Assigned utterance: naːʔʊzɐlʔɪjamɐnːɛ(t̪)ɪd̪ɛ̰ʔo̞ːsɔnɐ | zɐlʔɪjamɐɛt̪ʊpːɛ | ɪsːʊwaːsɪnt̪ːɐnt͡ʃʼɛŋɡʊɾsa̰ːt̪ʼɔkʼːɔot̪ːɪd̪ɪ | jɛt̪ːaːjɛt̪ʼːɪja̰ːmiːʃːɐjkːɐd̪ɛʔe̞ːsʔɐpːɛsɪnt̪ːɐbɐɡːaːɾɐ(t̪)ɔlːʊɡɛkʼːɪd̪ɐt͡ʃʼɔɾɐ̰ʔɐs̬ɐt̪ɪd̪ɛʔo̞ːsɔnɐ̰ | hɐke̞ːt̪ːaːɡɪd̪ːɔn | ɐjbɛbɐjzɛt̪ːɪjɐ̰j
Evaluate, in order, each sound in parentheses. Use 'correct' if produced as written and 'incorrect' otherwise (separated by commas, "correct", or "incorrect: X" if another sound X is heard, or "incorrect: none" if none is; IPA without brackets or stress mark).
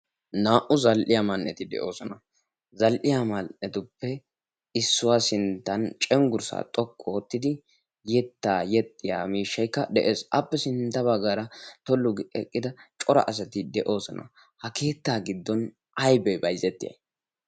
correct, correct